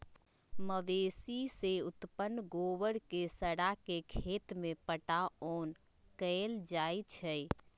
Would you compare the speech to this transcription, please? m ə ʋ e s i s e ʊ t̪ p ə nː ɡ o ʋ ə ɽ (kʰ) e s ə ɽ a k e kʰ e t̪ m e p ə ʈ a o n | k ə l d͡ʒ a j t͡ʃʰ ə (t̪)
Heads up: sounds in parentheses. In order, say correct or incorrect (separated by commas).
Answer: incorrect, incorrect